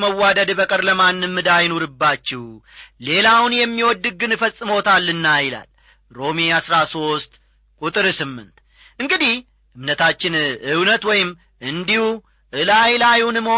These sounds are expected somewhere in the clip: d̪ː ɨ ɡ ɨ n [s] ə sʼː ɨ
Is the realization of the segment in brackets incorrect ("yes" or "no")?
yes